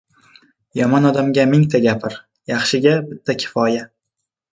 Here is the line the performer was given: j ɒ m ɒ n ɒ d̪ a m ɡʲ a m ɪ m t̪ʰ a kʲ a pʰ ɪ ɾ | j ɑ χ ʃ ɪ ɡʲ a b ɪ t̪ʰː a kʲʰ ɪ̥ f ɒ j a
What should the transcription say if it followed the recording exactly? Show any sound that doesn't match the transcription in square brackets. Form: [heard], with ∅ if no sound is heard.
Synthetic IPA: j ɒ m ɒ n ɒ d̪ a m ɡʲ a m ɪ [ŋ] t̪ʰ a [ɡʲ] a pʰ ɪ ɾ | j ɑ χ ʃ ɪ ɡʲ a b ɪ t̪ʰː a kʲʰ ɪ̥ f ɒ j a